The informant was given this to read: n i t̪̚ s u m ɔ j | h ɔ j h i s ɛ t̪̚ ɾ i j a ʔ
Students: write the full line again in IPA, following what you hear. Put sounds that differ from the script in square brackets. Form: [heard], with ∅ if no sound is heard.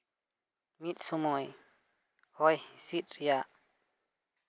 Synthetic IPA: [m] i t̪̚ s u m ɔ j | h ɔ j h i s [i] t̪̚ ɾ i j a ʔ